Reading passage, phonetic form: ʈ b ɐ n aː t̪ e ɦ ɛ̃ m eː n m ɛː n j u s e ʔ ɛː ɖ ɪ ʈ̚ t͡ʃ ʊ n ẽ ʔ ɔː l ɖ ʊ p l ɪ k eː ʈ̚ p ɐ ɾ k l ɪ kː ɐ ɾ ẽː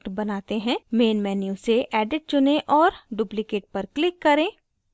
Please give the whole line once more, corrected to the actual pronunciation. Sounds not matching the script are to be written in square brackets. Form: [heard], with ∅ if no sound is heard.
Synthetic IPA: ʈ b ɐ n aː t̪ e ɦ ɛ̃ m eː n m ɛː n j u s e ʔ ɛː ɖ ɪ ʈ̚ t͡ʃ ʊ n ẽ ʔ ɔː [ɾ] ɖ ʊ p l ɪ k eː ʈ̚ p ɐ ɾ k l ɪ kː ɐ ɾ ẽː